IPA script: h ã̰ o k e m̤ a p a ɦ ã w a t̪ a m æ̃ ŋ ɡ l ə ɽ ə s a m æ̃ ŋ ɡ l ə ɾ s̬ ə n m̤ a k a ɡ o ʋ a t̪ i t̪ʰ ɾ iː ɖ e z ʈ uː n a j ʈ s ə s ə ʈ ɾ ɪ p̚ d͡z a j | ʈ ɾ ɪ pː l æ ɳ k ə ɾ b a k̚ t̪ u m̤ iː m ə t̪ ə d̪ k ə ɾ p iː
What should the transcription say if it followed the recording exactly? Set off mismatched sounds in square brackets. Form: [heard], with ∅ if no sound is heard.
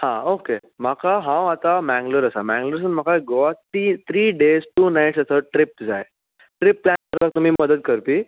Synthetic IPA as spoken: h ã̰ o k e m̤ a [k] a ɦ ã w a t̪ a m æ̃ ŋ ɡ l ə [ɾ] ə s a m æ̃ ŋ ɡ l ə ɾ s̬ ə n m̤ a k a ɡ o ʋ a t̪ i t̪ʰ ɾ iː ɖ e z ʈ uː n a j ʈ s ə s ə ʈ ɾ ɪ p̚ d͡z a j | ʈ ɾ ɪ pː l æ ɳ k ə ɾ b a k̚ t̪ u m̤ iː m ə [d̪] ə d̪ k ə ɾ p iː